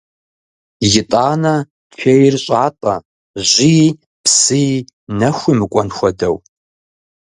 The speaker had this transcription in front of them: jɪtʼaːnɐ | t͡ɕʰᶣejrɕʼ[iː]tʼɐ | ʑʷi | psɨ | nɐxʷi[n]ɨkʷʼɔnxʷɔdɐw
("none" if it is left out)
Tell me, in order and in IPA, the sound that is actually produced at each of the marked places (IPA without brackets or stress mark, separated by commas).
aː, m